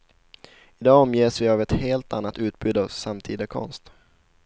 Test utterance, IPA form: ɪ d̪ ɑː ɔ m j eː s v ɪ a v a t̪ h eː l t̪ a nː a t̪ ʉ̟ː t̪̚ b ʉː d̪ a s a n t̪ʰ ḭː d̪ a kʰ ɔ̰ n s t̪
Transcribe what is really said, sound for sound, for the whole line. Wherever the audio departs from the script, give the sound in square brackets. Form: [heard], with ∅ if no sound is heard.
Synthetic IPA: ɪ d̪ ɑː ɔ m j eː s v ɪ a v [ɛ] t̪ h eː l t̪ a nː a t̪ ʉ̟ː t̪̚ b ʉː d̪ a s a [m] t̪ʰ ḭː d̪ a kʰ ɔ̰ n s t̪